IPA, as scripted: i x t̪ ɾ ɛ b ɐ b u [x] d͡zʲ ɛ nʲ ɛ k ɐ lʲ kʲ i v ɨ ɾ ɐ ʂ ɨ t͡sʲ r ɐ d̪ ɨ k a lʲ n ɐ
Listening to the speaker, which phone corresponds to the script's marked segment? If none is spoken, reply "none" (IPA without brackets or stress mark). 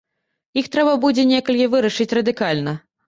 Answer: none